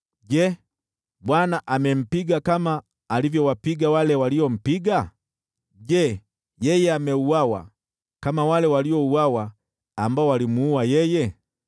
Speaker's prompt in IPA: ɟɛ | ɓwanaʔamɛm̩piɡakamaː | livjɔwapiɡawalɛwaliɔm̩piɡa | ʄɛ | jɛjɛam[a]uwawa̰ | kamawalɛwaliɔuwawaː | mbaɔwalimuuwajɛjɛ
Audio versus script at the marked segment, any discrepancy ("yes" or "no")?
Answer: yes